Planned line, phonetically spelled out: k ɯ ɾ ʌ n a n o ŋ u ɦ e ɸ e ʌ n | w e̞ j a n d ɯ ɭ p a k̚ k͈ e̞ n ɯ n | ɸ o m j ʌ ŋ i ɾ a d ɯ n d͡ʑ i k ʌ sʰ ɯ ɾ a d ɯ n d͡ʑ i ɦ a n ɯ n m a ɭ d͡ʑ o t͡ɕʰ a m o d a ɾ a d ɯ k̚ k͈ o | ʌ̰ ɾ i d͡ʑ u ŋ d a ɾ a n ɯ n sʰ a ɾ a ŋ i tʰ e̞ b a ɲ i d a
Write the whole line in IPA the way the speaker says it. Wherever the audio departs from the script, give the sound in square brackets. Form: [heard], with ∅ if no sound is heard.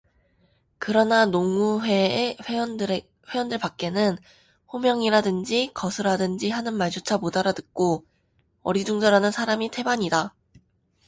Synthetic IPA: k ɯ ɾ ʌ n a n o ŋ u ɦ e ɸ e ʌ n | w e̞ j [ʌ] n d ɯ ɭ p a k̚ k͈ e̞ n ɯ n | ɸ o m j ʌ ŋ i ɾ a d ɯ n d͡ʑ i k ʌ sʰ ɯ ɾ a d ɯ n d͡ʑ i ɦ a n ɯ n m a ɭ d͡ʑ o t͡ɕʰ a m o d a ɾ a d ɯ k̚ k͈ o | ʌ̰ ɾ i d͡ʑ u ŋ [d͡ʑ] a ɾ a n ɯ n sʰ a ɾ a [m] i tʰ e̞ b a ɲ i d a